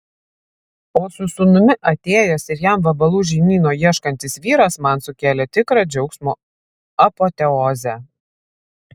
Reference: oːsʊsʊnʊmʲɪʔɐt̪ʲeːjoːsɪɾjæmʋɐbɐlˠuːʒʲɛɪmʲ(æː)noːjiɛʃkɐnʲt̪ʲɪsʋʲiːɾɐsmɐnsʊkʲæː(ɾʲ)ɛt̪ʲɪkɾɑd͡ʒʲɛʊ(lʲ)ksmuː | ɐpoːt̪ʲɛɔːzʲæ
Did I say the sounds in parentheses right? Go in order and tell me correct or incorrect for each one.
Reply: incorrect: iː, incorrect: lʲ, incorrect: none

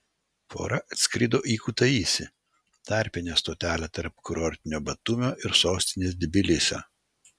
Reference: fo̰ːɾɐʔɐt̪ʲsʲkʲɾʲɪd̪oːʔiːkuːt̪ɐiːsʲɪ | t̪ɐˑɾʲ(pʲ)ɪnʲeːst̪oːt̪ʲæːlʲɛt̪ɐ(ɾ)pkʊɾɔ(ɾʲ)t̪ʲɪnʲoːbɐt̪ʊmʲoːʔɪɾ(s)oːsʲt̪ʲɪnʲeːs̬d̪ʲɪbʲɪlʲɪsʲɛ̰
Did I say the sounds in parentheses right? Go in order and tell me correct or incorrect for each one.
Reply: correct, correct, correct, correct

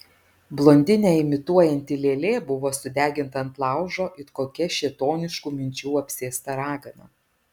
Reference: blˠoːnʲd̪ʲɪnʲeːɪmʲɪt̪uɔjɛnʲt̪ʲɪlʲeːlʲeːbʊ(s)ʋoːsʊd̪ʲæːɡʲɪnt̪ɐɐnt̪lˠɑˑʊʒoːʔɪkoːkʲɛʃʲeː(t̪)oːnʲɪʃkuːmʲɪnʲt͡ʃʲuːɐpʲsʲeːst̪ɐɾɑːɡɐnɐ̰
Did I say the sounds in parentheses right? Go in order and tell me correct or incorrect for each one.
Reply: incorrect: none, correct

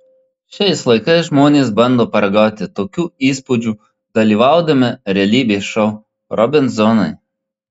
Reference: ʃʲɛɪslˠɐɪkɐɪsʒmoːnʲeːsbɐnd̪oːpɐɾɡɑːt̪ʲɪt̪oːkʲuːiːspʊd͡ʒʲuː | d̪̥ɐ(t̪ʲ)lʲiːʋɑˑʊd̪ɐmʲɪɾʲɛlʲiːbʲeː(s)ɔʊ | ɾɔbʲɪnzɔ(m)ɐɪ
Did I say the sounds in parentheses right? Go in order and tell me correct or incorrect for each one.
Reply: incorrect: none, incorrect: ʃ, incorrect: n

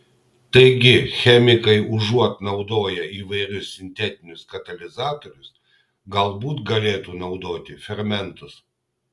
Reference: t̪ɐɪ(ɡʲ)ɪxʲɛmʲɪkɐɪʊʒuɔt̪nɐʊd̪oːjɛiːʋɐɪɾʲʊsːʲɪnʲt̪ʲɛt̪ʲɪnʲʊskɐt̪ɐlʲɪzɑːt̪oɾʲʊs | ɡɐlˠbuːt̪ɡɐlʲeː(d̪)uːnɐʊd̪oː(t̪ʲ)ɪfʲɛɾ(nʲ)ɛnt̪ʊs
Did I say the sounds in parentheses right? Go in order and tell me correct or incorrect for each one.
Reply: correct, incorrect: t̪, correct, incorrect: mʲ

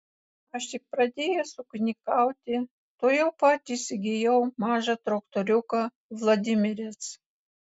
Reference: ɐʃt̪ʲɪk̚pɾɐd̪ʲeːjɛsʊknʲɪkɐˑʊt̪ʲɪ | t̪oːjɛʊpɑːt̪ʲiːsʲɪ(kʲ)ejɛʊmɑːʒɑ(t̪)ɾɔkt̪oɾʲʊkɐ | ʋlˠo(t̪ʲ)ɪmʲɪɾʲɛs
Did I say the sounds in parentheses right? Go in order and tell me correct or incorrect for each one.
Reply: incorrect: ɡʲ, correct, incorrect: d̪ʲ

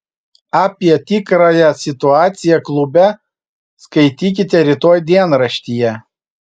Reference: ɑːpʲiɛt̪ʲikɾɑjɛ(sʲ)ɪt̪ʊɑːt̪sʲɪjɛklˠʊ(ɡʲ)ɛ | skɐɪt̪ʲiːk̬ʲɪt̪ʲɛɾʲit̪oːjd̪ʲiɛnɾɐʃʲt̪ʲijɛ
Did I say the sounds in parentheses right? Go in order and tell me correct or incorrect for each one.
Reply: correct, incorrect: bʲ

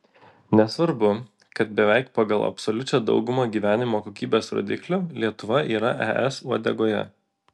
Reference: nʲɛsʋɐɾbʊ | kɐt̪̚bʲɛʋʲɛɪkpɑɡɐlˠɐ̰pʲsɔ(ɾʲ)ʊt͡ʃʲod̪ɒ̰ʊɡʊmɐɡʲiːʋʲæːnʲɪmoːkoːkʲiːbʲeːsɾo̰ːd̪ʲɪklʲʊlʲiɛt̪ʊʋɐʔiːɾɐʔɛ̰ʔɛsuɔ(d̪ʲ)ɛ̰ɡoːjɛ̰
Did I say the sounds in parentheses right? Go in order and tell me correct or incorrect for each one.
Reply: incorrect: lʲ, correct

